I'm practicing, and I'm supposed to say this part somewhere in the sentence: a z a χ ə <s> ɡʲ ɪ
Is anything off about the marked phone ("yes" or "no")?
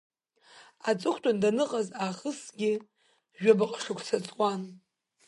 no